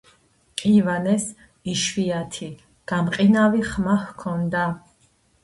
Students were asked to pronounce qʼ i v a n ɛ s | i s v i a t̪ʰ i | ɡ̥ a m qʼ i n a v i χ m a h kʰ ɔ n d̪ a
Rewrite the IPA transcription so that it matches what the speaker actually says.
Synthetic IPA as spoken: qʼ i v a n ɛ s | i ʃ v i a t̪ʰ i | ɡ̥ a m qʼ i n a v i χ m a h kʰ ɔ n d̪ a